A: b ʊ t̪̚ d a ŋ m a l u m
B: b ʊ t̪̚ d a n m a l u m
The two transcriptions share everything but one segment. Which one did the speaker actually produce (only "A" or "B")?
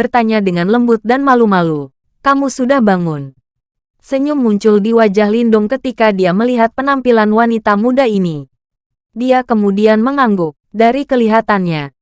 B